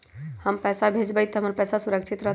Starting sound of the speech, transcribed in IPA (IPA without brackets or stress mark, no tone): h